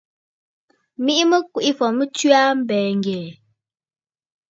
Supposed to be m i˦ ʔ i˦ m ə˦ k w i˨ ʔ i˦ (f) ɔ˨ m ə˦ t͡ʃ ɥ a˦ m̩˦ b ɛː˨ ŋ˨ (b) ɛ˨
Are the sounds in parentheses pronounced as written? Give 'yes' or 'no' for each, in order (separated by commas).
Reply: yes, no